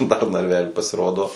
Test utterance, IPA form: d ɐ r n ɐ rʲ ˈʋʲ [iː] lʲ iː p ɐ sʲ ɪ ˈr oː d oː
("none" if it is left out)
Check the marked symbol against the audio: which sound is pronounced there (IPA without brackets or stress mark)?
æː